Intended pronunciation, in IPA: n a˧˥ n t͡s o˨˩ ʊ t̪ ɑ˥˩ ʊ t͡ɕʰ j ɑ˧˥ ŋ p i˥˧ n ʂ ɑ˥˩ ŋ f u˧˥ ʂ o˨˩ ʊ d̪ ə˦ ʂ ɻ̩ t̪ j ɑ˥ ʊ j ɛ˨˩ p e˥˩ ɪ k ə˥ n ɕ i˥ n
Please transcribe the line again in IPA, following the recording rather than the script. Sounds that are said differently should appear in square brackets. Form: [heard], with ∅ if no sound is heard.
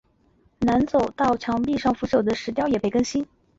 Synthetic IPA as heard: n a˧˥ n t͡s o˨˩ ʊ t̪ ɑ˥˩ ʊ t͡ɕʰ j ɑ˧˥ ŋ p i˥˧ [∅] ʂ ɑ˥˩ ŋ f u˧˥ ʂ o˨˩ ʊ d̪ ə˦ ʂ ɻ̩ t̪ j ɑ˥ ʊ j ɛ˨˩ p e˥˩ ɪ k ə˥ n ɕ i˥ n